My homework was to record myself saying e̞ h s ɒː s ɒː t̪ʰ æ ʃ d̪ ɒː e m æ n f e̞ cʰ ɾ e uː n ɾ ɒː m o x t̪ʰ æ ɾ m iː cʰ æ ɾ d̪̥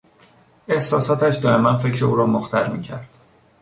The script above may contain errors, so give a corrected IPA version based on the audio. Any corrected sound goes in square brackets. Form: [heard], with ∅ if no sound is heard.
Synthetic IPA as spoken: e̞ h s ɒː s ɒː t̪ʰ æ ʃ d̪ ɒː e m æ n f e̞ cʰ ɾ e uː [∅] ɾ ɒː m o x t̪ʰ æ ɾ m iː cʰ æ ɾ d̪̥